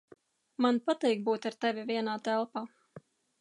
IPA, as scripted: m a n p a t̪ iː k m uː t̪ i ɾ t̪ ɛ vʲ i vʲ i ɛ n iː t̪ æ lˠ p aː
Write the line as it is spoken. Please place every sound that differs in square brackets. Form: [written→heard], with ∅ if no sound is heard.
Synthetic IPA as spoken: m a n p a t̪ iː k [m→b] uː t̪ [i→a] ɾ t̪ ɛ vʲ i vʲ i ɛ n [iː→aː] t̪ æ lˠ p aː